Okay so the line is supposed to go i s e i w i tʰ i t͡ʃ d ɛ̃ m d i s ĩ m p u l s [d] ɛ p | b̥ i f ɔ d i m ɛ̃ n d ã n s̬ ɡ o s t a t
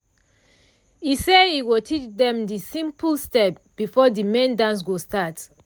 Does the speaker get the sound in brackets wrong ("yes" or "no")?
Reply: yes